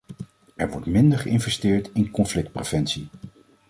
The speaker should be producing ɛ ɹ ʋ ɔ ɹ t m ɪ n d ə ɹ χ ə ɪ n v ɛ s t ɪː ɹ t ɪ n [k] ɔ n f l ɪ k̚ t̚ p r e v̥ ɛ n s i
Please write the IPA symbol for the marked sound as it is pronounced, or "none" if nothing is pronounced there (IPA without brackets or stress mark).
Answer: k